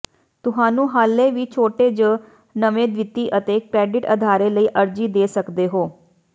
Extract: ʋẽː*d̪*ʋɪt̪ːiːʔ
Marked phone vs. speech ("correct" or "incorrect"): correct